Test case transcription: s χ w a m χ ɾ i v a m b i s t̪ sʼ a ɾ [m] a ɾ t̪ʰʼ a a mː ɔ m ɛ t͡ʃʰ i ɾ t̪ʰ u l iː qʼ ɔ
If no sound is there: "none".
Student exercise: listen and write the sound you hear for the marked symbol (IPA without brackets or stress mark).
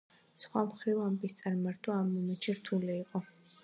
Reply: m